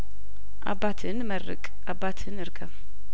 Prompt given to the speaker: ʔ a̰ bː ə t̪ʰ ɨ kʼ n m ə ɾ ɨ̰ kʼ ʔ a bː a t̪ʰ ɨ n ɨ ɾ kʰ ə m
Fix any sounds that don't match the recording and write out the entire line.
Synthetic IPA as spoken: ʔ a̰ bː a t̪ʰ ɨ n m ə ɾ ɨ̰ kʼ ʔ a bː a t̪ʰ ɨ n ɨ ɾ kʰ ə m